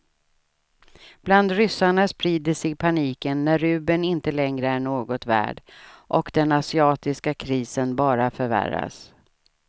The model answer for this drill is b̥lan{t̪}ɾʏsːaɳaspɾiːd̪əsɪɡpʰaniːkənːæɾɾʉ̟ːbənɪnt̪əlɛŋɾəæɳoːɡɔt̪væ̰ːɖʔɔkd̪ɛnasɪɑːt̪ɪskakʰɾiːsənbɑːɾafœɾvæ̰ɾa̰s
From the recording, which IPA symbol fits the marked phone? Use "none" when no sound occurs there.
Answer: d̪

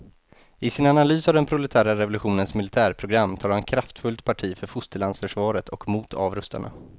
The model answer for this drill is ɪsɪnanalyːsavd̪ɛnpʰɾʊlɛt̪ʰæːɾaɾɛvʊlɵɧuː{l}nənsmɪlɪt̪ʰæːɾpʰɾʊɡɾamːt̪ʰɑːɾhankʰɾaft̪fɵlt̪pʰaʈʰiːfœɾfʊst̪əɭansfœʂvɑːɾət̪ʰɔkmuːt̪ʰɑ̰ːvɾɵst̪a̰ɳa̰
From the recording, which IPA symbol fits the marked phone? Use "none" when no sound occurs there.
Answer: none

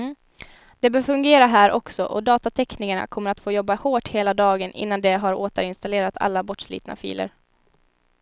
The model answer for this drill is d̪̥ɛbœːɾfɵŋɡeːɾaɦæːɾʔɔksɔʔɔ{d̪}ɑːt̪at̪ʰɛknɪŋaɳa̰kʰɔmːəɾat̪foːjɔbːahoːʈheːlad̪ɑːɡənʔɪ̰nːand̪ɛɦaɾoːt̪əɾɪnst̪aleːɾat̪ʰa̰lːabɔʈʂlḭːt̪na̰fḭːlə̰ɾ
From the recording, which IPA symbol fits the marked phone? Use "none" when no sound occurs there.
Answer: d̪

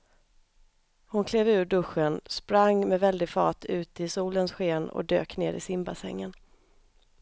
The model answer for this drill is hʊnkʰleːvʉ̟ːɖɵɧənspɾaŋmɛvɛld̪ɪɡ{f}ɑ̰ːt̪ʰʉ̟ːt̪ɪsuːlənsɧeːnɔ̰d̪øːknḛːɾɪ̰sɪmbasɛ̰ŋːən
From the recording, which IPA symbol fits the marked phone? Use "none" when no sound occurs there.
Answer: f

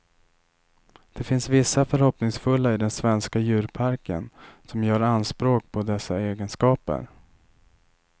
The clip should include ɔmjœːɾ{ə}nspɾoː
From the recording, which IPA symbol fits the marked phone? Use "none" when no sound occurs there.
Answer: a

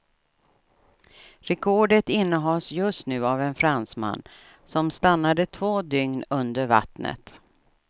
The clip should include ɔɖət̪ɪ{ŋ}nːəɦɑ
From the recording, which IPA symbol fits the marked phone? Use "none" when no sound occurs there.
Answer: none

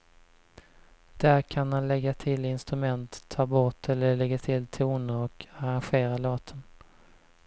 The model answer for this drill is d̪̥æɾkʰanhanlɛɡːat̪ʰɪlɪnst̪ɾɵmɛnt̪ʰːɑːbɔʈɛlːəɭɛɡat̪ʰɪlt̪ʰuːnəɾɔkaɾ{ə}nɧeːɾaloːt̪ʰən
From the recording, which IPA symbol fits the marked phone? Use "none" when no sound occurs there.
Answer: a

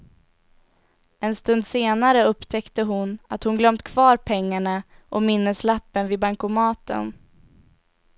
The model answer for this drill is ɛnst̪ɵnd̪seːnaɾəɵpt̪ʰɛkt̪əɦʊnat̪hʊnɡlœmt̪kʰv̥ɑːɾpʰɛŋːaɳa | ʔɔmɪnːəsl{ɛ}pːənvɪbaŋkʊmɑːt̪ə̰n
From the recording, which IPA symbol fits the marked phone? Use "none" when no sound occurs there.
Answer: a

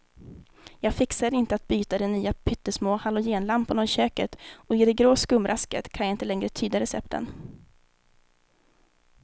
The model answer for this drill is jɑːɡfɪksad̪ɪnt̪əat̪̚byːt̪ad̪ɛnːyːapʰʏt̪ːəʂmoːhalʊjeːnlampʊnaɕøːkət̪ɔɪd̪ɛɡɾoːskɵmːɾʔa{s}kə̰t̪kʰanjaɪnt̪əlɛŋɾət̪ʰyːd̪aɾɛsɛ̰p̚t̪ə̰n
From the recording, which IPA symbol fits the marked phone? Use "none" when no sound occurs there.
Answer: s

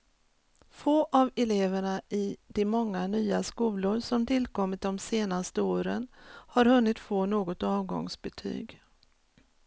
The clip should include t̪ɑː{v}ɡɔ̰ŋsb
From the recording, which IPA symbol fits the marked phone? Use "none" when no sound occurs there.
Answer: v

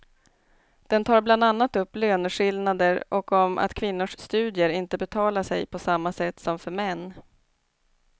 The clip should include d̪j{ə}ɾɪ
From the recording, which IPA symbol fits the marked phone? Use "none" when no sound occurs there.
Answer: ə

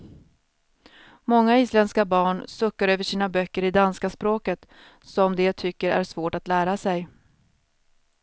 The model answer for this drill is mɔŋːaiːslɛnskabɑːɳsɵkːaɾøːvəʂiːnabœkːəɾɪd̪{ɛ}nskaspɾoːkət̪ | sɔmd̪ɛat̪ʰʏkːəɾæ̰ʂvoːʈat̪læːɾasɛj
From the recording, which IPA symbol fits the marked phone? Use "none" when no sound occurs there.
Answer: a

